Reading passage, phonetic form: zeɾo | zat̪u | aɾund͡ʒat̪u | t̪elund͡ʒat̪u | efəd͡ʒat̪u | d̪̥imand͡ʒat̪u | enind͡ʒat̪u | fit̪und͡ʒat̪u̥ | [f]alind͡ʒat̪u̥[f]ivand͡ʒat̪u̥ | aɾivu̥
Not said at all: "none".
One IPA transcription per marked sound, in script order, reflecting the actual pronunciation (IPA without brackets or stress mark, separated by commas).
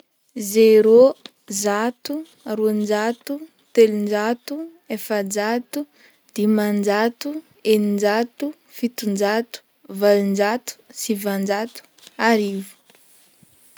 v, s